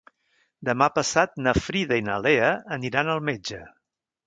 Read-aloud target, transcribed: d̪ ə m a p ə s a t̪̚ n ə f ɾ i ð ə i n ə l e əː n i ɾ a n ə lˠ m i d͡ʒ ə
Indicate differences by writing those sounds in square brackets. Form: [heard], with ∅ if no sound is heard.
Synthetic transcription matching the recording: d̪ ə m a p ə s a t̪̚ n ə f ɾ i ð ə i n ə l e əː n i ɾ a n ə lˠ m [e] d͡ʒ ə